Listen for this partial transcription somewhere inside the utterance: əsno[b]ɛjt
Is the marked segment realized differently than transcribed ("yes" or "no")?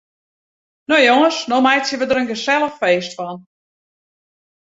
yes